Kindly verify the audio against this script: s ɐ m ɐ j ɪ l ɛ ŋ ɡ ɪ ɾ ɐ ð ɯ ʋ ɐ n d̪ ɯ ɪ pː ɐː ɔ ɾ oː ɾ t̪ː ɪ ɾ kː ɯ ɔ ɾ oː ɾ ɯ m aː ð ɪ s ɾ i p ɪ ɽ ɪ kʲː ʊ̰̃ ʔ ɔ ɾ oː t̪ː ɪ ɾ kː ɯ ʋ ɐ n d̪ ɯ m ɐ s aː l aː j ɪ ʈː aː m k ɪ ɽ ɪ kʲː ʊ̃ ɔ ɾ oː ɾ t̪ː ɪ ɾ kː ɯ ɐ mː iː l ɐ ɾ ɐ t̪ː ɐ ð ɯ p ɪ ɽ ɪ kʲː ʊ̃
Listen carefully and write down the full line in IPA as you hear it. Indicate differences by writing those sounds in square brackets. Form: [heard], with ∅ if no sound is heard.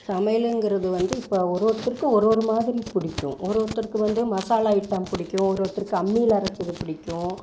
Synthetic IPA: s ɐ m ɐ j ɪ l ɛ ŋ ɡ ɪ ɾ ɐ ð ɯ ʋ ɐ n d̪ ɯ ɪ pː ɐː ɔ ɾ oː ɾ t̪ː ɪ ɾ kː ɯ ɔ ɾ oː ɾ ɯ m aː ð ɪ [∅] ɾ i p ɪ ɽ ɪ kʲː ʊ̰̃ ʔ ɔ ɾ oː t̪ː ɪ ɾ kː ɯ ʋ ɐ n d̪ ɯ m ɐ s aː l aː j ɪ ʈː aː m [p] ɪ ɽ ɪ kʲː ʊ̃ ɔ ɾ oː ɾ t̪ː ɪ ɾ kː ɯ ɐ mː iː l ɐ ɾ ɐ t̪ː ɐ ð ɯ p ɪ ɽ ɪ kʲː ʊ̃